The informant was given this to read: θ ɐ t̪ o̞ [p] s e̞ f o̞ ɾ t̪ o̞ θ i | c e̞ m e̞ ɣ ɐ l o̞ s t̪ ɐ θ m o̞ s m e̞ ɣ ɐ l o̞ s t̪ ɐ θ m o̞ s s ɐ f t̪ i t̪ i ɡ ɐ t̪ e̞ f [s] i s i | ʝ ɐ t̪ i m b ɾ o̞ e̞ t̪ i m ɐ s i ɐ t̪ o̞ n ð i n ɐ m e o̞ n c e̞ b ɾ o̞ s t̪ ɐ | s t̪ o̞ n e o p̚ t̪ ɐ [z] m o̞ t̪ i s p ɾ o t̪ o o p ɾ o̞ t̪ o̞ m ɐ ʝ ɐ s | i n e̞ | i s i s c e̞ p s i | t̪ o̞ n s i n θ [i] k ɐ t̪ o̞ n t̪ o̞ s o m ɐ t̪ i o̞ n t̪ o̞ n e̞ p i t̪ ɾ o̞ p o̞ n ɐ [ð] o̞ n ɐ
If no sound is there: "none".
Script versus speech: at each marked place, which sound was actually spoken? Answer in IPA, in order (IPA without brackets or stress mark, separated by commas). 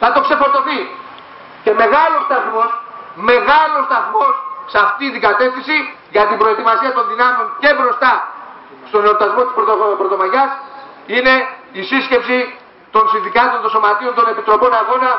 k, θ, z, i, ɣ